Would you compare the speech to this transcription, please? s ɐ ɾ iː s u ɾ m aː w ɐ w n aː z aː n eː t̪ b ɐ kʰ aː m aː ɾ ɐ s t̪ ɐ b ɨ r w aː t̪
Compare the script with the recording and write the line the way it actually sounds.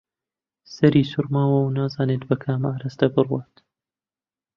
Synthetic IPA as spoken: s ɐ ɾ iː s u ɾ m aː w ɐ w n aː z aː n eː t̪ b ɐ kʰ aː m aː ɾ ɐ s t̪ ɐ b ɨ r w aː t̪